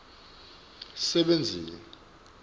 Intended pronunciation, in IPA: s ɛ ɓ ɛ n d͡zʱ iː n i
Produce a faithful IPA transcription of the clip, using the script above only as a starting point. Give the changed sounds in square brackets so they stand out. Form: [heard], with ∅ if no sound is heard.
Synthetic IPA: s ɛ ɓ [e] n d͡zʱ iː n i